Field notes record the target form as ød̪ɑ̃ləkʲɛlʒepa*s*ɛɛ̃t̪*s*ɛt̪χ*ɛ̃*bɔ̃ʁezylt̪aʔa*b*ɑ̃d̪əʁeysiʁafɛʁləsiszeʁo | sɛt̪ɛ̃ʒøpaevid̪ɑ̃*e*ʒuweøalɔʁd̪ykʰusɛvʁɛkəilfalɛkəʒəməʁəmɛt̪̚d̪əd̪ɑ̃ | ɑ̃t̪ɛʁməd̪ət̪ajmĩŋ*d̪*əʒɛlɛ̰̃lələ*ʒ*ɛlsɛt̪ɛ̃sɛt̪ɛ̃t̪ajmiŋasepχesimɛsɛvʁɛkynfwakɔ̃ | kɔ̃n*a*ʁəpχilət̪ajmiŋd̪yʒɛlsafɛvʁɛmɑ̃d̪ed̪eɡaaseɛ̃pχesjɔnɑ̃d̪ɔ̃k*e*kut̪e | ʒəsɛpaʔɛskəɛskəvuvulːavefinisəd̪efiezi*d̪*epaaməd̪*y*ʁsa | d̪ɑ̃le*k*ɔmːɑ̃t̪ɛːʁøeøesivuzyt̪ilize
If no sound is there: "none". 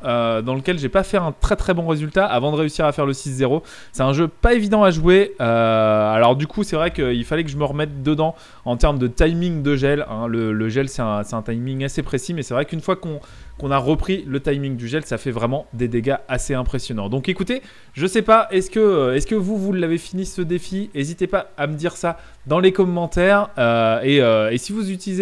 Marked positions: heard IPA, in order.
f, χ, ɛ, v, a, d̪, ʒ, a, e, t̪, i, k

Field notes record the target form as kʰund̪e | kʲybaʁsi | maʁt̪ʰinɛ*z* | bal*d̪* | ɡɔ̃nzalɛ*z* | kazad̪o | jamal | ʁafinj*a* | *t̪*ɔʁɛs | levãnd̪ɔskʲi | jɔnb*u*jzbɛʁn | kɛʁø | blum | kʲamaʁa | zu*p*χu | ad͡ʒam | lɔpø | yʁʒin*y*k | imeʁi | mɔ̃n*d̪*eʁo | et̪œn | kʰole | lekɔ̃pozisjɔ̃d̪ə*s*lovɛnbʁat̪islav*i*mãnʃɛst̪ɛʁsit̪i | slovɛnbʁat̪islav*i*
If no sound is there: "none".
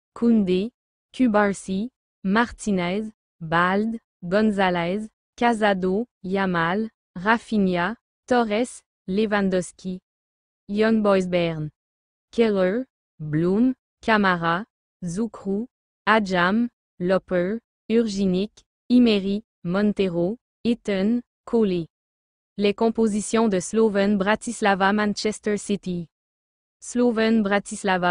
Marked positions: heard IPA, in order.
z, d̪, z, a, t̪, ɔ, k, i, t̪, s, a, a

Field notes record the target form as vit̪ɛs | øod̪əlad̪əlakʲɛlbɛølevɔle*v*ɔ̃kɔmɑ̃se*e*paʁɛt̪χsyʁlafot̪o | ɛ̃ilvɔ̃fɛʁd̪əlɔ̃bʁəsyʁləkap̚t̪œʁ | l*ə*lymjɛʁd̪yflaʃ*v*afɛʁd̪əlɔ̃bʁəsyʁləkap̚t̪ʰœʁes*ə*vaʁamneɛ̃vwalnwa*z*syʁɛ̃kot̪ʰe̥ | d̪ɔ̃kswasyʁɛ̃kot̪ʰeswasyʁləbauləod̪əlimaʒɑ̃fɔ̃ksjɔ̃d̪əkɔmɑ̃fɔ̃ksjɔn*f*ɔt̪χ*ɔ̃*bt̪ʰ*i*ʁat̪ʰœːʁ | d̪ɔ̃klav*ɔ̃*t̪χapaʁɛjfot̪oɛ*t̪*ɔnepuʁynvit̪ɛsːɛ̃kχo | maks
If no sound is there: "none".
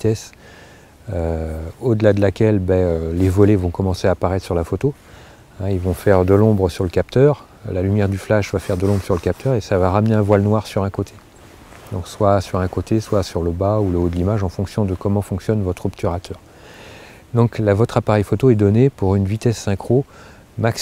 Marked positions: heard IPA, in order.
v, a, a, v, a, ʁ, v, ɔ, y, ɔ, d̪

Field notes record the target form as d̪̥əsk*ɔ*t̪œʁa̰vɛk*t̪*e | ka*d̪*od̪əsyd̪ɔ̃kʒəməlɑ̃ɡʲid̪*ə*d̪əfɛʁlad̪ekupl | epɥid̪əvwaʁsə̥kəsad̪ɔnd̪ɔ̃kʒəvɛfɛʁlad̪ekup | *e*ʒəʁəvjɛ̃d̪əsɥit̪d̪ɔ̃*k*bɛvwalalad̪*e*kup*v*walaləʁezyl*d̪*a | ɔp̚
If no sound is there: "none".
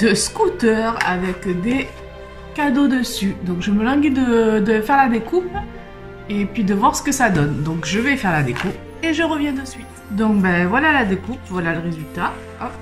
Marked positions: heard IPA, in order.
u, d̪, d̪, ə, e, k, e, v, t̪

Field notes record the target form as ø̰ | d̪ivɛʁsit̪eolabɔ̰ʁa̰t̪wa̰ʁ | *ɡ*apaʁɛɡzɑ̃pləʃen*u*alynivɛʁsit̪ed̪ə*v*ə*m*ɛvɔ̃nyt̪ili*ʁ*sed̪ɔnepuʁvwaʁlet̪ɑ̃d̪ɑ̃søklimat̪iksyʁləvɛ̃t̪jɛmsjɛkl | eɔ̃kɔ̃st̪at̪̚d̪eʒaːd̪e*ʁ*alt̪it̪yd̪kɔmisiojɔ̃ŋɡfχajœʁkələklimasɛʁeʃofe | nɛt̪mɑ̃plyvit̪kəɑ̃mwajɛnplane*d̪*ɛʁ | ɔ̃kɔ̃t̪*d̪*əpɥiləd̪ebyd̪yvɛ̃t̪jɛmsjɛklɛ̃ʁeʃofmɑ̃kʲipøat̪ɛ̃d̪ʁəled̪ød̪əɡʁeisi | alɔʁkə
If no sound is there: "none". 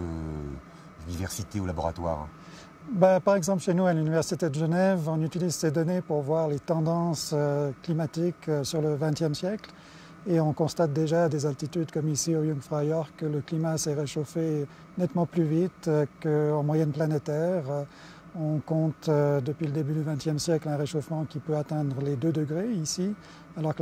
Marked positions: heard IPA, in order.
b, u, ʒ, n, z, z, t̪, d̪

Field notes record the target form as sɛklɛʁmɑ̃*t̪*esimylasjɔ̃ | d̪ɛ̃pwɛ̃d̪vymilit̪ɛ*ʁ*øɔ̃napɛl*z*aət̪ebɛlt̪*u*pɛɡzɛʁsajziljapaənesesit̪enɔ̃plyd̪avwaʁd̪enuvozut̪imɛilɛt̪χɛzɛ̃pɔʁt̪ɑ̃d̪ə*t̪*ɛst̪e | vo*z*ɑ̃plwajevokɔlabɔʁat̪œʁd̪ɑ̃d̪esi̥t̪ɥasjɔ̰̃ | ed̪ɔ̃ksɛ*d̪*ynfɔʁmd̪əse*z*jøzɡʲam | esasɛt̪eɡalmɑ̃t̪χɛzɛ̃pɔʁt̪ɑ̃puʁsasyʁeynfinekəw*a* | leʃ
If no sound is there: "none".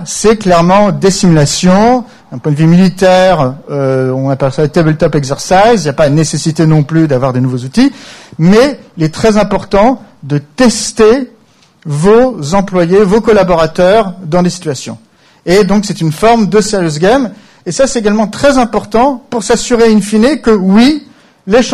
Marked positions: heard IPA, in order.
d̪, ʁ, s, ɔ, t̪, z, t̪, ʁ, i

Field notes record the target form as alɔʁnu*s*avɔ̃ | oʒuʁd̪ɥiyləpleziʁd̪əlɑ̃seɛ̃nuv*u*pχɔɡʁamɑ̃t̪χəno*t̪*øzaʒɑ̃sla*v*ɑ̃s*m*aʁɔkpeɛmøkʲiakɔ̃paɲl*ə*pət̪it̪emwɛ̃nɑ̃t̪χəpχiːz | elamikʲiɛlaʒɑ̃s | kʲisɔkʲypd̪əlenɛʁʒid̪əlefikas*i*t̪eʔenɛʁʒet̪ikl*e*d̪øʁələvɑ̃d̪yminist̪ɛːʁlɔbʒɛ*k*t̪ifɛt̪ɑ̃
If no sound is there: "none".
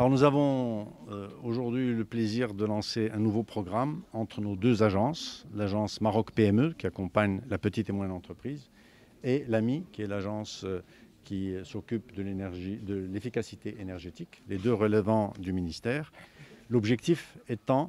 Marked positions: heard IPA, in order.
z, o, d̪, ʒ, m, a, i, e, k

